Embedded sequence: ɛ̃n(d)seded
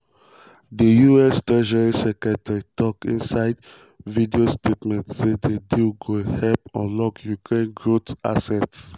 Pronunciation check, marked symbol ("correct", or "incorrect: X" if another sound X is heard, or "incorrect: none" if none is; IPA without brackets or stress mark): incorrect: t